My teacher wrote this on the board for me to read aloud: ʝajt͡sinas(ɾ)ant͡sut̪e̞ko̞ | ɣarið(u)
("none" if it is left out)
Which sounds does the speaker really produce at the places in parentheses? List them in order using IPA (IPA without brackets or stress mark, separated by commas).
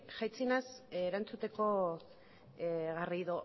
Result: ɾ, o